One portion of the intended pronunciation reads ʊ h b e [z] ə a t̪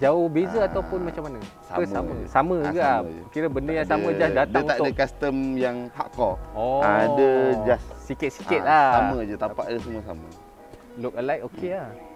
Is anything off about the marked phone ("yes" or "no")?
no